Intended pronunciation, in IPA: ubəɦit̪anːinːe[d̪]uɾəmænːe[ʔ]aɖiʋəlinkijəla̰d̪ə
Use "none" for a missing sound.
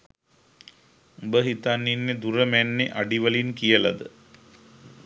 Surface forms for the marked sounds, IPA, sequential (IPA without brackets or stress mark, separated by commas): d̪, ʔ